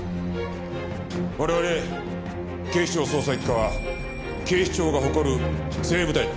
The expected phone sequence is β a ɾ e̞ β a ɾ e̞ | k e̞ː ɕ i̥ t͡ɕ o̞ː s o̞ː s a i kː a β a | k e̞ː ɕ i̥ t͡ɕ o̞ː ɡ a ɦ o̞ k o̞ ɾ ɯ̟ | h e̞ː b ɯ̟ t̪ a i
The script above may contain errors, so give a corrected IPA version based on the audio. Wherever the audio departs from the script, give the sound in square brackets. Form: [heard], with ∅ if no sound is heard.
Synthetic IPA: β a ɾ e̞ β a ɾ e̞ | k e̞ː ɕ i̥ t͡ɕ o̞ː s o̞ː s a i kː a β a | k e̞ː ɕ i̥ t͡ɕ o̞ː ɡ a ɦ o̞ k o̞ ɾ ɯ̟ | [s] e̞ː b ɯ̟ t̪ a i